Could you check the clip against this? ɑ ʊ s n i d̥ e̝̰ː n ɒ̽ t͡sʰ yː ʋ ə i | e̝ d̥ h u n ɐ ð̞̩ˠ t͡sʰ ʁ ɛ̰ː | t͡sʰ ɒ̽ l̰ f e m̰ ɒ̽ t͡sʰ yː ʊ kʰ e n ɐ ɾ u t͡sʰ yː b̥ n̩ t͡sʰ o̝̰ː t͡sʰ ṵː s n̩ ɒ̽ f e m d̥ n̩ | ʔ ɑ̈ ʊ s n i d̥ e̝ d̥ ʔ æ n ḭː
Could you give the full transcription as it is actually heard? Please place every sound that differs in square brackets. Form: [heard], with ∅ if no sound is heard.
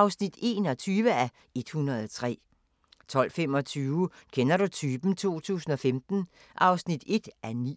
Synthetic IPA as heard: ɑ ʊ s n i d̥ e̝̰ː n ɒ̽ t͡sʰ yː ʋ ə [æ] | e̝ d̥ h u n ɐ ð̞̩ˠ t͡sʰ ʁ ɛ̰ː | t͡sʰ ɒ̽ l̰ f e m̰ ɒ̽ t͡sʰ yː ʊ kʰ e n ɐ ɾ u t͡sʰ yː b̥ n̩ t͡sʰ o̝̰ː t͡sʰ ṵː s n̩ ɒ̽ f e m d̥ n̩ | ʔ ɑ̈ ʊ s n i d̥ e̝ d̥ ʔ æ n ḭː